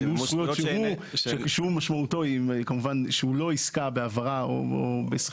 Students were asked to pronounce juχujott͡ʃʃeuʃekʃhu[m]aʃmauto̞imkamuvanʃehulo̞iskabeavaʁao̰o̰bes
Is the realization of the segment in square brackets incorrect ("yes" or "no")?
no